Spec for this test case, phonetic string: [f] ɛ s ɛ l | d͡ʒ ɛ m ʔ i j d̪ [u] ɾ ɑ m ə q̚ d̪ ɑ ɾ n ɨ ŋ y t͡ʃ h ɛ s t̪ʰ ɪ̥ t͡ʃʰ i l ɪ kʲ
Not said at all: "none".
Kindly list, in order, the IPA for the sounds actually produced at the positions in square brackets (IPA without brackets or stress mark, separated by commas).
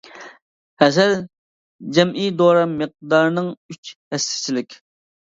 h, o